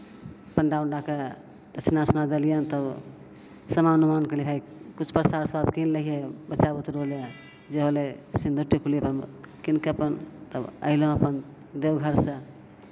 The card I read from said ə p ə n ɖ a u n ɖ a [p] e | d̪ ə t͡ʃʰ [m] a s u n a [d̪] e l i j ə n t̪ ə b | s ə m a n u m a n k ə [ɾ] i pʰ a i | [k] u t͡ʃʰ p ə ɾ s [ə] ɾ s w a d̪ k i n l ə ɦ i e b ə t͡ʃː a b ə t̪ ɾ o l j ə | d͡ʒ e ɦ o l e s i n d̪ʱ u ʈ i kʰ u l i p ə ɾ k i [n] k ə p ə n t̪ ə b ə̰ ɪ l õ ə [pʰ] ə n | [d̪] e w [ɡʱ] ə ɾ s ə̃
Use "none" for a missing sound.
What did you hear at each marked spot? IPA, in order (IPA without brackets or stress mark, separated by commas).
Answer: k, n, d̪, l, k, a, n, p, d̪, ɡʱ